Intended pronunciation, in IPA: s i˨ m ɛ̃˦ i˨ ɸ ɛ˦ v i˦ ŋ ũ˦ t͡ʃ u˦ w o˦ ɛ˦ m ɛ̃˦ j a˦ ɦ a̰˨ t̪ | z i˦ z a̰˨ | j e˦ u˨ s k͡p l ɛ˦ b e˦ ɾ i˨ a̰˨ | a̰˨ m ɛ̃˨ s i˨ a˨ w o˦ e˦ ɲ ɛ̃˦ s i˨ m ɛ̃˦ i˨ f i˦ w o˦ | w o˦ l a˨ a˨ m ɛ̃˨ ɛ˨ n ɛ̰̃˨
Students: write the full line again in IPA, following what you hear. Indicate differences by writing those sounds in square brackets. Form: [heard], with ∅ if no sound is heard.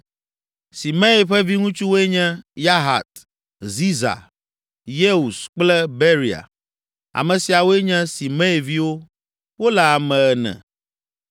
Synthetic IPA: s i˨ m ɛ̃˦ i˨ ɸ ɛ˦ v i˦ ŋ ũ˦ t͡ʃ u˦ w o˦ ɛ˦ [ɲ] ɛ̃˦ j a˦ ɦ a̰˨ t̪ | z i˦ z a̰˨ | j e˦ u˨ s k͡p l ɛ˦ b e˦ ɾ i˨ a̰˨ | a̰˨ m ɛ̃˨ s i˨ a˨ w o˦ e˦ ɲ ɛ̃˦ s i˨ m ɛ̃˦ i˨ [v] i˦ w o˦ | w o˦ l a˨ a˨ m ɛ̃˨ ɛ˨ n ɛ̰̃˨

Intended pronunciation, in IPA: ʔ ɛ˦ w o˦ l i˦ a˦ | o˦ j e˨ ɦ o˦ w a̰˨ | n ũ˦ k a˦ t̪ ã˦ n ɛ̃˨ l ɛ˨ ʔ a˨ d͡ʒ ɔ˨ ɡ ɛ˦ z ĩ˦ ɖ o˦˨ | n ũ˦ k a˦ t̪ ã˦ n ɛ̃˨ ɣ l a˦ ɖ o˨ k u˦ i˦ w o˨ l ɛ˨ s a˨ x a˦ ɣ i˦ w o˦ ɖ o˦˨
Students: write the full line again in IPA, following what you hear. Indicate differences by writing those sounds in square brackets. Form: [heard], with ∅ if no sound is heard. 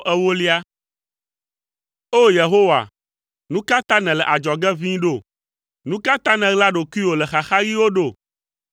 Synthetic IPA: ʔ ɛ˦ w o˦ l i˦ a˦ | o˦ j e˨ ɦ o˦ w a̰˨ | n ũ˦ k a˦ t̪ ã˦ n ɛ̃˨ l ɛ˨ ʔ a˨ d͡ʒ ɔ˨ ɡ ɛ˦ [v] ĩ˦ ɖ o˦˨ | n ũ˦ k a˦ t̪ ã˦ n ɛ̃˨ ɣ l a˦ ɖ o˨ k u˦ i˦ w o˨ l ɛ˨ [x] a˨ x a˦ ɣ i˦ w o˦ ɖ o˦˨

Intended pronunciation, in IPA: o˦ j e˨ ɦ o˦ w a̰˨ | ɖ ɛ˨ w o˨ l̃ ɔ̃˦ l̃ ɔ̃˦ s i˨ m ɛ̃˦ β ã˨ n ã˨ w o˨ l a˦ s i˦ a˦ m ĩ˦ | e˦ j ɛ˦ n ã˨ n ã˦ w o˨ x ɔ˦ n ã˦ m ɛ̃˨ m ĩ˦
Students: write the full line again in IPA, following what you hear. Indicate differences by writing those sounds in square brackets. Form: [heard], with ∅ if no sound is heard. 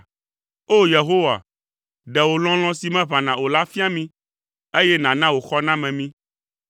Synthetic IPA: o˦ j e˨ ɦ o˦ w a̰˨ | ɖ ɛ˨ w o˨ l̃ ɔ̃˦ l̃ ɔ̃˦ s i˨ m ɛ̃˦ β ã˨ n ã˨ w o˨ l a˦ [f] i˦ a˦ m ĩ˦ | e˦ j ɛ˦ n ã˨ n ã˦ w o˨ x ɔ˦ n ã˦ m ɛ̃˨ m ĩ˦

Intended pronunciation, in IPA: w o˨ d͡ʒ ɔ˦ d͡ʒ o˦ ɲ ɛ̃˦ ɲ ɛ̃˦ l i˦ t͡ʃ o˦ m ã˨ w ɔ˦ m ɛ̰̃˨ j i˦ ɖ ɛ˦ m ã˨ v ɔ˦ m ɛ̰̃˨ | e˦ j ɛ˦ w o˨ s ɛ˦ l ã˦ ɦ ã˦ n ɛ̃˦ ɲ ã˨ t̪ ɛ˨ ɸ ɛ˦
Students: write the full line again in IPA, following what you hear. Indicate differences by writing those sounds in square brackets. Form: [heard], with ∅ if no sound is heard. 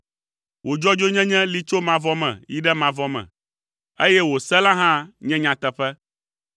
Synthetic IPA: w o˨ d͡ʒ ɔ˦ d͡ʒ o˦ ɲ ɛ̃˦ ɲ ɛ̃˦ l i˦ t͡ʃ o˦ m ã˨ [v] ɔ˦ m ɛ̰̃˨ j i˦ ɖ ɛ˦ m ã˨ v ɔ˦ m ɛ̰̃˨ | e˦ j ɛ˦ w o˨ s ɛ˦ l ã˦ ɦ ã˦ [ɲ] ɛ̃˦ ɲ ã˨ t̪ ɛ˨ ɸ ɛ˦

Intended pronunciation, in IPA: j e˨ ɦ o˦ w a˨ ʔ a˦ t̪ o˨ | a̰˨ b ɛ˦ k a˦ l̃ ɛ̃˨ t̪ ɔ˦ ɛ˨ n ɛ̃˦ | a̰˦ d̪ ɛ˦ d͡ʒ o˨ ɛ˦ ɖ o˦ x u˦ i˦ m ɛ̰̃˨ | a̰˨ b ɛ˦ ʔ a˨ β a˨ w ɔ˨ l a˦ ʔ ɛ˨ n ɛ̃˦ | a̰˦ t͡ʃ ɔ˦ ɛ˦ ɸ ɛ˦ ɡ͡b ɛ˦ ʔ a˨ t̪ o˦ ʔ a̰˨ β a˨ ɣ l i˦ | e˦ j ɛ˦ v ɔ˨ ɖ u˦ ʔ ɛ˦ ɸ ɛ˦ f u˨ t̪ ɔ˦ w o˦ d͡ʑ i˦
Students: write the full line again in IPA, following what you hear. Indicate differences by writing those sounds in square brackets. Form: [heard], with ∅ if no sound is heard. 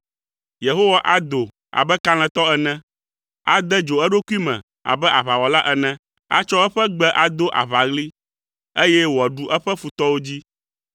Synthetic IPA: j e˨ ɦ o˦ w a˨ ʔ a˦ [d̪] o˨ | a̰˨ b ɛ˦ k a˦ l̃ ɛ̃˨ t̪ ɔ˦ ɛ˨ n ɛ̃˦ | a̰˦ d̪ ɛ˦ d͡ʒ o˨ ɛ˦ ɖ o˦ [k] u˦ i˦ m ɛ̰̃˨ | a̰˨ b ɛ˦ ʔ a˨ β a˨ w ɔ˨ l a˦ ʔ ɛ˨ n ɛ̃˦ | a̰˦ t͡ʃ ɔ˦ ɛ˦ ɸ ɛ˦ ɡ͡b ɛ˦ ʔ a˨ [d̪] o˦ ʔ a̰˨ β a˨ ɣ l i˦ | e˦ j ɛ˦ [w] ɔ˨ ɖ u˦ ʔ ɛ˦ ɸ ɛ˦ f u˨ t̪ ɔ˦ w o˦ d͡ʑ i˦

